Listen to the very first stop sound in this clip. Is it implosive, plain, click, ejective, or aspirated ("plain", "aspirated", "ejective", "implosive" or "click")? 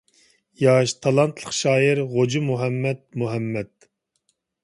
aspirated